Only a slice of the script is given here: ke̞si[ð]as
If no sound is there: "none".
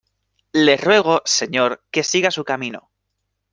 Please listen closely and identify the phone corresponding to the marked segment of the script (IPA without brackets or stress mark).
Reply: ɣ